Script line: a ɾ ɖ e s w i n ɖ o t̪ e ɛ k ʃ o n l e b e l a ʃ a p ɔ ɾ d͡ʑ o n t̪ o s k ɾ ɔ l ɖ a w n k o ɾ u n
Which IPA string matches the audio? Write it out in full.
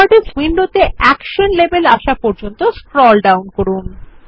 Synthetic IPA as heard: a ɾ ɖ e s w i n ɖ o t̪ e ɛ k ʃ o n l e b e l a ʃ a p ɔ ɾ d͡ʑ o n t̪ o s k ɾ ɔ l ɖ a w n k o ɾ u n